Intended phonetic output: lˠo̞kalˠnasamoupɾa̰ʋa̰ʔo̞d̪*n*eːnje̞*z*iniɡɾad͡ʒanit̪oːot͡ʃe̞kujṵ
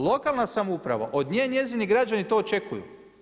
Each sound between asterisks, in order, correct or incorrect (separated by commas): incorrect, correct